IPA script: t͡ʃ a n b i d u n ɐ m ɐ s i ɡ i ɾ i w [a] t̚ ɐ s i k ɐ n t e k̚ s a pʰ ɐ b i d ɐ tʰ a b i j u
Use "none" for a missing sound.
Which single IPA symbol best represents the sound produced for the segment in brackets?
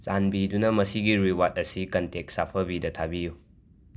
a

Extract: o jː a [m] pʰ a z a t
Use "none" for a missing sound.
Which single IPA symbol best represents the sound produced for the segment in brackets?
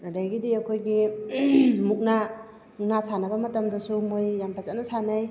m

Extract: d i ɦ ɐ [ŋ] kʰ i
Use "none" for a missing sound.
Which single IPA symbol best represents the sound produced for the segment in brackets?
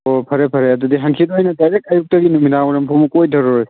ŋ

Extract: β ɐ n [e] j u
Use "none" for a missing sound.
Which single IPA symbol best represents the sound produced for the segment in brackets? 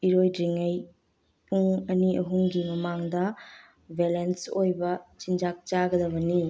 i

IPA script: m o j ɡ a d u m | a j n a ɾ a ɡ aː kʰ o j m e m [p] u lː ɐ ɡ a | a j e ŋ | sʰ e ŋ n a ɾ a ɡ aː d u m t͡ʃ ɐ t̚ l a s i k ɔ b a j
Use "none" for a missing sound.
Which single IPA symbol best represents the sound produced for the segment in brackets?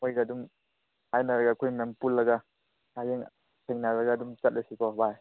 p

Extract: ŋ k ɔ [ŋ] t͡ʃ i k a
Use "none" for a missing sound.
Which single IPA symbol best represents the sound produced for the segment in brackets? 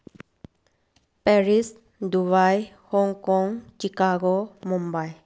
ŋ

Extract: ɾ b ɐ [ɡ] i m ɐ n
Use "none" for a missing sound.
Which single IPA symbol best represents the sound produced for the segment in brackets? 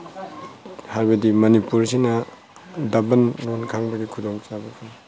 d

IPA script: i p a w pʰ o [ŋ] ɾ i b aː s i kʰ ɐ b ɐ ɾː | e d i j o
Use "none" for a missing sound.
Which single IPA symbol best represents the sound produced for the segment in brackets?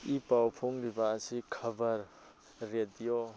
ŋ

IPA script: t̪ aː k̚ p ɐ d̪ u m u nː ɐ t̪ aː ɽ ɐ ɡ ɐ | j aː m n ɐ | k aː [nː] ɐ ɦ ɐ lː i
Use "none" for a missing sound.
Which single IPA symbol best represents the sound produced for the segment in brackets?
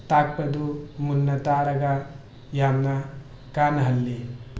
n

